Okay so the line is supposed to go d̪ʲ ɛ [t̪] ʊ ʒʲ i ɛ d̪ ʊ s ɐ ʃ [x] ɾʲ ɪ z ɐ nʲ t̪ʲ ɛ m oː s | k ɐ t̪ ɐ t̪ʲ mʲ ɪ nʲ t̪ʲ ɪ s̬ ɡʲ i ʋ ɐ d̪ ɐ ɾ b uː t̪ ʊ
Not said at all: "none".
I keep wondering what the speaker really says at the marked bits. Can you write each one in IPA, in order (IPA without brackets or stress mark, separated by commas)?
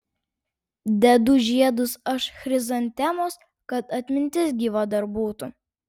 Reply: d̪, x